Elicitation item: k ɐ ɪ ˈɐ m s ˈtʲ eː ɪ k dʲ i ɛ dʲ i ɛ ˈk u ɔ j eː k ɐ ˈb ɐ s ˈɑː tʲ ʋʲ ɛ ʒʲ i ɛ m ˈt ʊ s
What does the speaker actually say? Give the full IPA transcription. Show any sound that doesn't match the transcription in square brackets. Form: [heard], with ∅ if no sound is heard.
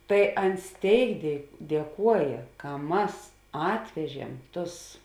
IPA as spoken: [t] ɐ ɪ ˈɐ [n] s ˈtʲ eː ɪ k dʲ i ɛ dʲ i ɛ ˈk u ɔ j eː k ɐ [ˈm] ɐ s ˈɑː tʲ ʋʲ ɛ ʒʲ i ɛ m ˈt ʊ s

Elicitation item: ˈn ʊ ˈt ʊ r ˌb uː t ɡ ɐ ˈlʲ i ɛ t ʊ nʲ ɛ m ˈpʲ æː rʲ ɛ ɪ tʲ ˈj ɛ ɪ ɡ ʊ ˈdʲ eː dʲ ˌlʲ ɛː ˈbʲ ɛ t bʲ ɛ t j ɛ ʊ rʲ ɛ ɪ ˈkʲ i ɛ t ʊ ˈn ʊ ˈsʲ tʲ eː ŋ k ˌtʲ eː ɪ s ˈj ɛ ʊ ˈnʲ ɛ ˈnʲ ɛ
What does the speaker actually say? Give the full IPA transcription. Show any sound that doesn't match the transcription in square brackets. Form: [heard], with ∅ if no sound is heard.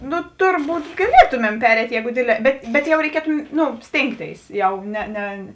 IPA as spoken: ˈn ʊ ˈt ʊ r ˌb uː t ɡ ɐ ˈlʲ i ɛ t ʊ [mʲ] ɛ m ˈpʲ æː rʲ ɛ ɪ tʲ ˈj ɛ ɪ ɡ ʊ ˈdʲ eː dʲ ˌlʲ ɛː ˈbʲ ɛ t bʲ ɛ t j ɛ ʊ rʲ ɛ ɪ ˈkʲ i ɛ t ʊ ˈn ʊ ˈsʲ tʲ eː ŋ k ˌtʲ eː ɪ s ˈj ɛ ʊ ˈnʲ ɛ ˈnʲ ɛ

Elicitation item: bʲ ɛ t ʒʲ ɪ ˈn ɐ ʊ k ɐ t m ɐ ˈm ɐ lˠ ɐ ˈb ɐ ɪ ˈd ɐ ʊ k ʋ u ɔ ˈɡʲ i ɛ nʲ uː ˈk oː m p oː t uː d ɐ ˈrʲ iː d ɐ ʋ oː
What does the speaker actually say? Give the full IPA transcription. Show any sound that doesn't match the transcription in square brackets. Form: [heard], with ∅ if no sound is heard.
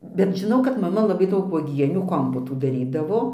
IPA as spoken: bʲ ɛ t ʒʲ ɪ ˈn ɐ ʊ k ɐ t m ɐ ˈm ɐ lˠ ɐ ˈb ɐ ɪ ˈd ɐ ʊ k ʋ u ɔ ˈɡʲ i ɛ nʲ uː ˈk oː m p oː t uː d ɐ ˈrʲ iː d ɐ ʋ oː

